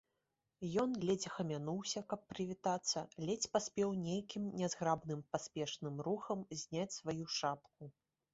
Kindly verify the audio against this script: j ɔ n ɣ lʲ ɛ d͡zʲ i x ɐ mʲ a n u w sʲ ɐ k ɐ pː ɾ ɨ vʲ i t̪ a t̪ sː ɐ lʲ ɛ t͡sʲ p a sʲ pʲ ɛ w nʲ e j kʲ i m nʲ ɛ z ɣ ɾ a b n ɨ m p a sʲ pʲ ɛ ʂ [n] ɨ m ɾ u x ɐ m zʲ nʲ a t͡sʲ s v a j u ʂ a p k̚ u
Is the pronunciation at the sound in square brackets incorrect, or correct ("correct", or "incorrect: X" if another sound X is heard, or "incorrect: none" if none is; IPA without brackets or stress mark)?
correct